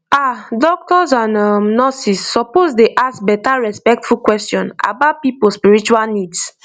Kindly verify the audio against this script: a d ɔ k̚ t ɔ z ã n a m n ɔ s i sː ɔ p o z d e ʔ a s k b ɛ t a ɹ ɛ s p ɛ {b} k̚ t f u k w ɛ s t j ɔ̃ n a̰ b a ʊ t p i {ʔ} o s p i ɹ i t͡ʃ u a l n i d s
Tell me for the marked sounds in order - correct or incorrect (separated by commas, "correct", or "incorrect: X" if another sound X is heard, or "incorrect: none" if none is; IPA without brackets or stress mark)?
incorrect: none, incorrect: p